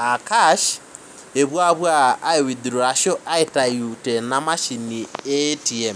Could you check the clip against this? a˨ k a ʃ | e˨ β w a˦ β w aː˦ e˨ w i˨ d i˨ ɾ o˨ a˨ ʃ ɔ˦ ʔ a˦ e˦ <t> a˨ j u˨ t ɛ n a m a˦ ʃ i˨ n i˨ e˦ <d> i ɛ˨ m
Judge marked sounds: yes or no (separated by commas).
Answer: yes, no